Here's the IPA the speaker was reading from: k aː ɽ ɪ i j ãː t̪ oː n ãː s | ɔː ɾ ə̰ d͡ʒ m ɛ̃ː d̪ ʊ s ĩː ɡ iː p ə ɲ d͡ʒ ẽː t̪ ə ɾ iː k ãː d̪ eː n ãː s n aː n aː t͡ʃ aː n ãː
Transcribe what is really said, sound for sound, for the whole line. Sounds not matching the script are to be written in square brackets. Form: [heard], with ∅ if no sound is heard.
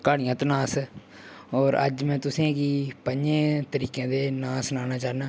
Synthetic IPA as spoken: k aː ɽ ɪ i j ãː t̪ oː n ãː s | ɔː ɾ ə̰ d͡ʒ m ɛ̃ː [t̪] ʊ s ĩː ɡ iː p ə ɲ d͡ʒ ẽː t̪ ə ɾ iː k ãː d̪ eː n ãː s n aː n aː t͡ʃ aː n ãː